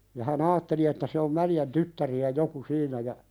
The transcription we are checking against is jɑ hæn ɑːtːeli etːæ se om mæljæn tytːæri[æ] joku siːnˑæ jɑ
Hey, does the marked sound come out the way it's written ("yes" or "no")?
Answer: yes